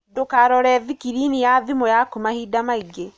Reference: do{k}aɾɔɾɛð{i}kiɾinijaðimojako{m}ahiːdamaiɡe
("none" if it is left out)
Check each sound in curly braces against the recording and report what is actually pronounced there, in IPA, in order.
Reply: k, i, m

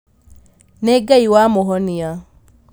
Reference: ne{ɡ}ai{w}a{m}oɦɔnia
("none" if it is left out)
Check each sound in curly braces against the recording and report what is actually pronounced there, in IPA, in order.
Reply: ɡ, w, m

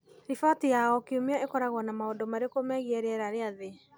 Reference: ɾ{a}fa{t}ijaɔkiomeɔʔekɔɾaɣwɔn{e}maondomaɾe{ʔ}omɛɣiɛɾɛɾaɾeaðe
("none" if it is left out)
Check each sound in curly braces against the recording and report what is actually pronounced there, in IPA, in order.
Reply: i, t, a, k

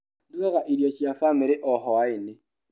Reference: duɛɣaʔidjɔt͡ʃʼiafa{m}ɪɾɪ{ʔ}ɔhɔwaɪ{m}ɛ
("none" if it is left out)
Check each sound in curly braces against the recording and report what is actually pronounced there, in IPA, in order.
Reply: m, ʔ, n

